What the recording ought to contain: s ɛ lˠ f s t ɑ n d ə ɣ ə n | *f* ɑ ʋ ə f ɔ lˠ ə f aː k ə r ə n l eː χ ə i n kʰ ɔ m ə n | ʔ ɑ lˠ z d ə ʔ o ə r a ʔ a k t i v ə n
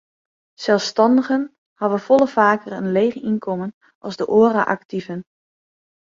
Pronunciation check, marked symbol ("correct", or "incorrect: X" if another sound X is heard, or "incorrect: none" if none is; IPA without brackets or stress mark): incorrect: h